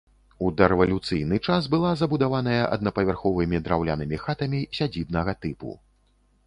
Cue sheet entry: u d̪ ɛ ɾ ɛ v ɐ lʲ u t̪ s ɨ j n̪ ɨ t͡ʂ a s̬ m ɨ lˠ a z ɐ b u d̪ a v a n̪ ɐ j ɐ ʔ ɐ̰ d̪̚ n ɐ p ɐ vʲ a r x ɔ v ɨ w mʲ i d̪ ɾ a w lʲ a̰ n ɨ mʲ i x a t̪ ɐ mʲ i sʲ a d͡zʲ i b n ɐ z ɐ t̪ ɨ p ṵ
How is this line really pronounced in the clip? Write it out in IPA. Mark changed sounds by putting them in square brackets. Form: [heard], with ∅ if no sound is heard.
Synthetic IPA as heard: u d̪ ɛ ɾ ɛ v ɐ lʲ u t̪ s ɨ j n̪ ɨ t͡ʂ a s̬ [b] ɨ lˠ a z ɐ b u d̪ a v a n̪ ɐ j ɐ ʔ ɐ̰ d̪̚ n ɐ p ɐ vʲ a r x ɔ v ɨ [∅] mʲ i d̪ ɾ a w lʲ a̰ n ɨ mʲ i x a t̪ ɐ mʲ i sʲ a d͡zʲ i b n ɐ [ɣ] ɐ t̪ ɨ p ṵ

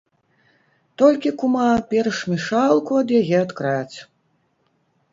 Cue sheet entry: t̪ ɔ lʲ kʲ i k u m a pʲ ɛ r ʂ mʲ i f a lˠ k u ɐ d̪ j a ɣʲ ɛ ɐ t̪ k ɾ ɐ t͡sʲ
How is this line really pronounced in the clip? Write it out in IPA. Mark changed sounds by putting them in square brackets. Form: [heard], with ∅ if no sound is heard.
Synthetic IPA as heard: t̪ ɔ lʲ kʲ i k u m a pʲ ɛ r ʂ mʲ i [ʂ] a lˠ k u ɐ d̪ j a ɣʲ ɛ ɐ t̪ k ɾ [a] t͡sʲ

